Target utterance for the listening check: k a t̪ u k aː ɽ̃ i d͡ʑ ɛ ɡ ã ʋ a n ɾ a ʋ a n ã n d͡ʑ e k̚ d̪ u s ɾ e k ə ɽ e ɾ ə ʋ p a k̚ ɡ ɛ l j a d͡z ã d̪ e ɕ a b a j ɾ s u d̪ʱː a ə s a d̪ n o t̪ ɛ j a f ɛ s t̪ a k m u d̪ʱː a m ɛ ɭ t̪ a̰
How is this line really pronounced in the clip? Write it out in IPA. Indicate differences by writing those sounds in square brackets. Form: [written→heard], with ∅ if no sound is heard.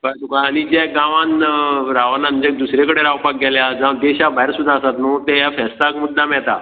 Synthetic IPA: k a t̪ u k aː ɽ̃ i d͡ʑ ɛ ɡ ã ʋ a n ɾ a ʋ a n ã n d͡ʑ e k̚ d̪ u s ɾ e k ə ɽ e ɾ [ə→a] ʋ p a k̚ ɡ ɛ l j a d͡z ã d̪ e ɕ a b a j ɾ s u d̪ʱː a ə s a [d̪→t̪] n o t̪ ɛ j a f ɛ s t̪ a k m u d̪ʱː a m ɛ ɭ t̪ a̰